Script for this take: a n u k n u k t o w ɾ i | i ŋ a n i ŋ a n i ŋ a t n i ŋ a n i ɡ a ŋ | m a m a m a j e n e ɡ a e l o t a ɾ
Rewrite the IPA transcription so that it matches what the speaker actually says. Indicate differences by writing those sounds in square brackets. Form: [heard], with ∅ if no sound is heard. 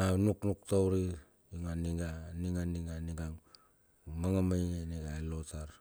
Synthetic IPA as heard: a n u k n u k t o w ɾ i | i ŋ a n i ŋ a n i ŋ a [∅] n i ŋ a n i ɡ a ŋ | m a [ŋ] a m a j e n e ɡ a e l o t a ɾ